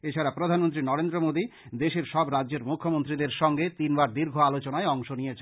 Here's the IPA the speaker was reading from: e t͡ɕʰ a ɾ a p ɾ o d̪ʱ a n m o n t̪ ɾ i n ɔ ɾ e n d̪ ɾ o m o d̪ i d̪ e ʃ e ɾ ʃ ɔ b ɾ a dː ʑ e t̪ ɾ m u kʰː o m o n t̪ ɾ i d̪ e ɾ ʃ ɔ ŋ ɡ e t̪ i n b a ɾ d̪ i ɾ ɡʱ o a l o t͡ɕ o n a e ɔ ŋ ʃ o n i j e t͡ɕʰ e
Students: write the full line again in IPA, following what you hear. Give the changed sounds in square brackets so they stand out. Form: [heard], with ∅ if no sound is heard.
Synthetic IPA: e t͡ɕʰ a ɾ a p ɾ o d̪ʱ a n m o n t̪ ɾ i n ɔ ɾ e n d̪ ɾ o m o d̪ i d̪ e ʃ e ɾ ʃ ɔ b ɾ a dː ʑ e [∅] ɾ m u kʰː o m o n t̪ ɾ i d̪ e ɾ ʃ ɔ ŋ ɡ e t̪ i n b a ɾ d̪ i ɾ ɡʱ o a l o t͡ɕ o n a e ɔ ŋ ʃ o n i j e t͡ɕʰ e

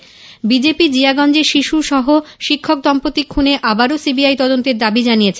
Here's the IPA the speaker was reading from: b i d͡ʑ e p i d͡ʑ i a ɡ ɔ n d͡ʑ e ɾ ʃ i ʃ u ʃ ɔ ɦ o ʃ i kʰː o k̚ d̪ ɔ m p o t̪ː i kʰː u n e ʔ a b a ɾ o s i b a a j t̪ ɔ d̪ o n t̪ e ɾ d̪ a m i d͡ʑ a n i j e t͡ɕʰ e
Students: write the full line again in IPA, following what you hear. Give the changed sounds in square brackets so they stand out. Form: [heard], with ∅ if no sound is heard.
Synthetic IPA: b i d͡ʑ e p i d͡ʑ i a ɡ ɔ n d͡ʑ e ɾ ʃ i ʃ u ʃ ɔ ɦ o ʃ i kʰː o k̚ d̪ ɔ m p o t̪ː i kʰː u n e ʔ a b a ɾ o s i b [i] a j t̪ ɔ d̪ o n t̪ e ɾ d̪ a [b] i d͡ʑ a n i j e t͡ɕʰ e

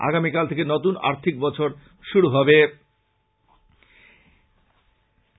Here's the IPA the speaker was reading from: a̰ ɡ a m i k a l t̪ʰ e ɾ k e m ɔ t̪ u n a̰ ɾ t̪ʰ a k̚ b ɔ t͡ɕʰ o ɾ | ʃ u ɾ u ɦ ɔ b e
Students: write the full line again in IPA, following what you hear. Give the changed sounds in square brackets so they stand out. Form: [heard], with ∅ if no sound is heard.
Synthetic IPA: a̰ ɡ a m i k a l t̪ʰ e [∅] k e [n] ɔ t̪ u n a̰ ɾ t̪ʰ [i] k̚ b ɔ t͡ɕʰ o ɾ | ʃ u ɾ u ɦ ɔ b e

